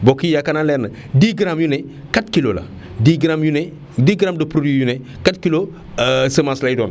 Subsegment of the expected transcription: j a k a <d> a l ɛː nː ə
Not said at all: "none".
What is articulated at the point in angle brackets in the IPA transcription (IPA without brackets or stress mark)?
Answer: n